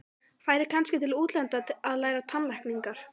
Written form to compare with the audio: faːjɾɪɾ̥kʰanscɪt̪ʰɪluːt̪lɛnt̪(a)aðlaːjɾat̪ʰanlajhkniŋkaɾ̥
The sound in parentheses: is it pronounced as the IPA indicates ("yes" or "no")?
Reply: yes